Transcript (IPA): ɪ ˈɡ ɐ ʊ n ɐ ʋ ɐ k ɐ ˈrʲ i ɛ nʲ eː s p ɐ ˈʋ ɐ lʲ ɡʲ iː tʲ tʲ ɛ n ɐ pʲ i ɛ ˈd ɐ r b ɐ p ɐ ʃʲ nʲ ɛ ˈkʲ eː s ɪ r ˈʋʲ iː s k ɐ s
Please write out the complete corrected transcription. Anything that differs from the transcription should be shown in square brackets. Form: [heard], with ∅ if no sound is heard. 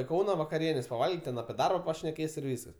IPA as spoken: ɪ [ˈk] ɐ ʊ n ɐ ʋ ɐ k ɐ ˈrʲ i ɛ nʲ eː s p ɐ ˈʋ ɐ lʲ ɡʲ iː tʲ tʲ ɛ n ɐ pʲ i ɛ ˈd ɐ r b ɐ p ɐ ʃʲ nʲ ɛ ˈkʲ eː s ɪ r ˈʋʲ iː s k ɐ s